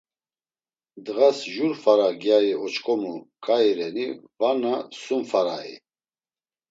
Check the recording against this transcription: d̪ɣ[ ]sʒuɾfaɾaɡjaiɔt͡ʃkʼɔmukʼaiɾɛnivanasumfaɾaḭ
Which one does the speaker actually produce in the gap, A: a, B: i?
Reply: A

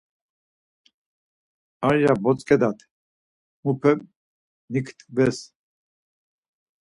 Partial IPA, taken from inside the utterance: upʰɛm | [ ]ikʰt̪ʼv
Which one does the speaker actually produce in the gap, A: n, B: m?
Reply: A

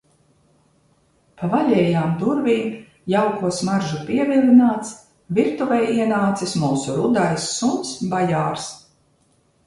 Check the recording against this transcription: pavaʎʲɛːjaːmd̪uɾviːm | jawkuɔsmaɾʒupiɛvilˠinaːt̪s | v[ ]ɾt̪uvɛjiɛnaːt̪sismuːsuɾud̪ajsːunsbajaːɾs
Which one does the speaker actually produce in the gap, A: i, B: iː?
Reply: A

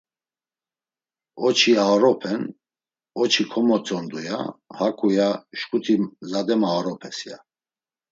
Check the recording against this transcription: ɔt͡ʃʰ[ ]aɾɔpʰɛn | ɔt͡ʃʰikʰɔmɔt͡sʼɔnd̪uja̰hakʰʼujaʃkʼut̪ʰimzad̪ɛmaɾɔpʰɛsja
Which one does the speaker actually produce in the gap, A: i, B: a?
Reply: A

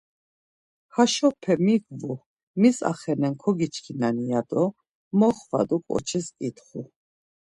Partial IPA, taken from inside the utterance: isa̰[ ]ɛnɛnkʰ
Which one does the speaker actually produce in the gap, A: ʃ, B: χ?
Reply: B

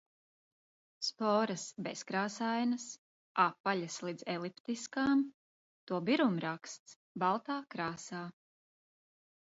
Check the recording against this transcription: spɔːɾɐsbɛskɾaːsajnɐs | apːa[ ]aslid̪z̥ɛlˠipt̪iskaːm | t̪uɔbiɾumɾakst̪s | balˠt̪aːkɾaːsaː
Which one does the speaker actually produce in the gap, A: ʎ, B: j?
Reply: A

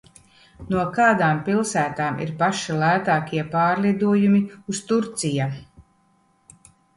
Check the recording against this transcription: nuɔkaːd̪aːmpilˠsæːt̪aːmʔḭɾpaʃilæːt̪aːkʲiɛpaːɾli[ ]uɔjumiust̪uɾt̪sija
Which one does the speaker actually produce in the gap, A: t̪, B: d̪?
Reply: B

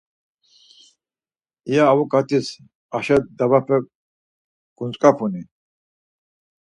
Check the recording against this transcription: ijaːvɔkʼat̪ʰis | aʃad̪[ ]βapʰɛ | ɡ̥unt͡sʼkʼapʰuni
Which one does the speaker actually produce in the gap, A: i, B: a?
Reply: B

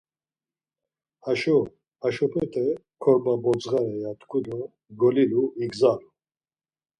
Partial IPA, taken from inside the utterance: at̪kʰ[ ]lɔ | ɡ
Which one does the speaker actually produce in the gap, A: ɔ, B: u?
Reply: B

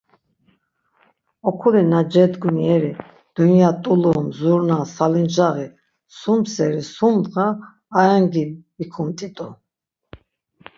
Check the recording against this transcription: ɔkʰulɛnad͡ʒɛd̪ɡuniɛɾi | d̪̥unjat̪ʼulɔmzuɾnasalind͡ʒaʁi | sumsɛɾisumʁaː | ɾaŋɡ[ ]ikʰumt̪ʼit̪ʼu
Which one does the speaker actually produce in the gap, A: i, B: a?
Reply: A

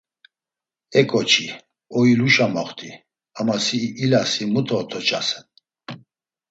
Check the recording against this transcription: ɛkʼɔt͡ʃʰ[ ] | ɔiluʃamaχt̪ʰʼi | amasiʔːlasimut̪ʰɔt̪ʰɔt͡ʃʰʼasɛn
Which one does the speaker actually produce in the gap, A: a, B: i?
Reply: B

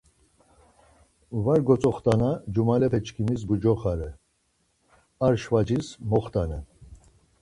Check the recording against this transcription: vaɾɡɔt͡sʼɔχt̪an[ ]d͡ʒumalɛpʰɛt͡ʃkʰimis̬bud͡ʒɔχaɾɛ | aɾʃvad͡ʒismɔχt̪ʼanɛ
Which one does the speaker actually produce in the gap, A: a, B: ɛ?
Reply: A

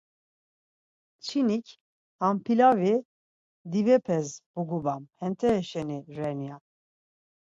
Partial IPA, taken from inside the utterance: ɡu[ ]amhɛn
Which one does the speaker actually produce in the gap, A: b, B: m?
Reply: A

